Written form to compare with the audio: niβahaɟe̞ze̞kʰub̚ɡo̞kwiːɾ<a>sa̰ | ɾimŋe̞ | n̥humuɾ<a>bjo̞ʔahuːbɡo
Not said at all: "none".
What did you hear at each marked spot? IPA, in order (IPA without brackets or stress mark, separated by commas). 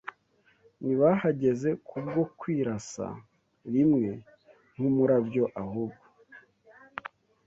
a, a